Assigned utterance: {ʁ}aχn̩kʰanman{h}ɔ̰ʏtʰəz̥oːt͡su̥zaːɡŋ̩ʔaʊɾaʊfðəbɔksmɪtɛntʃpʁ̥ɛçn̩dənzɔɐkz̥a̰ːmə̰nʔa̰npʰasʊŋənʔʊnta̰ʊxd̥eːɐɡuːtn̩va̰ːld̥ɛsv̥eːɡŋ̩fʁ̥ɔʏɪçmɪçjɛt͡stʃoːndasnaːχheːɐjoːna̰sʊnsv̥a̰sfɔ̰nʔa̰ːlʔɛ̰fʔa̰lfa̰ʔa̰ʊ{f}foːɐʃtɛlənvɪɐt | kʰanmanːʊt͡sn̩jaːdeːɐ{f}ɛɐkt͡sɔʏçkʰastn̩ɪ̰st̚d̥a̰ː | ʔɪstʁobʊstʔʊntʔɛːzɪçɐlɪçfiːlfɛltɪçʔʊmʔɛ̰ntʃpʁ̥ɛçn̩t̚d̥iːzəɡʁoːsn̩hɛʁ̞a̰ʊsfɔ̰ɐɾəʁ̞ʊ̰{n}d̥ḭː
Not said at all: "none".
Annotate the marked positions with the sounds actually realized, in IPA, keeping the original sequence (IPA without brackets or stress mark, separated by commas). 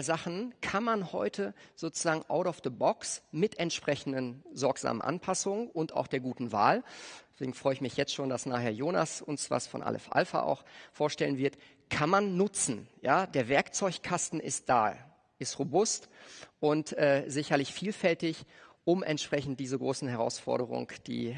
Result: z, h, x, v, ŋ